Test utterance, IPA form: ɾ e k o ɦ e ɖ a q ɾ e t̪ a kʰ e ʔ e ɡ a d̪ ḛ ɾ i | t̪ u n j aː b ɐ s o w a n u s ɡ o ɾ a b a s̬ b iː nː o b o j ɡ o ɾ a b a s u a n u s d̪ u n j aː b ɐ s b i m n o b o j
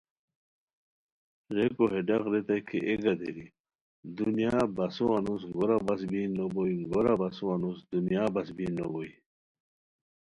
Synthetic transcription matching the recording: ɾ e k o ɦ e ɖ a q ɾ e t̪ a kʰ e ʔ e ɡ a d̪ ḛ ɾ i | d̪ u n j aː b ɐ s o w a n u s ɡ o ɾ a b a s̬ b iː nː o b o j ɡ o ɾ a b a s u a n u s d̪ u n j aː b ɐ s b i n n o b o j